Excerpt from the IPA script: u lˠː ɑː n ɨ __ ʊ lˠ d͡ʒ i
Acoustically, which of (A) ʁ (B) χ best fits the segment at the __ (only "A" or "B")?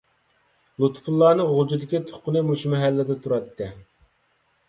A